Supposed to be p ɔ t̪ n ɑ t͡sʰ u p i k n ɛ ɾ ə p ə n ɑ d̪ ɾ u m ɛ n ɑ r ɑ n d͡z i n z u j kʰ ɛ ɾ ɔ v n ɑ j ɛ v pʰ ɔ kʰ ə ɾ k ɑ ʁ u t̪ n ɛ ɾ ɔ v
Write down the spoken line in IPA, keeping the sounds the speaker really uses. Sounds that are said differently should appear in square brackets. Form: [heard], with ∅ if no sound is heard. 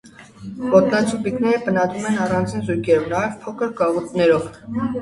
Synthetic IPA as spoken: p ɔ t̪ n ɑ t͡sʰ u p i k n ɛ ɾ ə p ə n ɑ d̪ ɾ u m ɛ n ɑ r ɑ n d͡z i n z u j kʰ ɛ ɾ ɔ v n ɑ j ɛ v pʰ ɔ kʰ ə ɾ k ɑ ʁ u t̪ n ɛ ɾ ɔ v